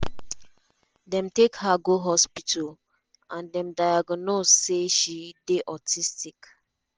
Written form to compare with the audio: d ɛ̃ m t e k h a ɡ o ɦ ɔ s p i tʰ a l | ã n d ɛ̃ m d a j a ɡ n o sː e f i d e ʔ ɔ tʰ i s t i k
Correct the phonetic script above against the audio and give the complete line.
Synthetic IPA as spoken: d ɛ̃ m t e k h a ɡ o ɦ ɔ s p i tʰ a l | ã n d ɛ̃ m d a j a ɡ n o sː e ʃ i d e ʔ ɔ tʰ i s t i k